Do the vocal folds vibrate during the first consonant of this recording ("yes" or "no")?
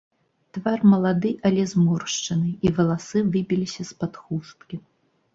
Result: no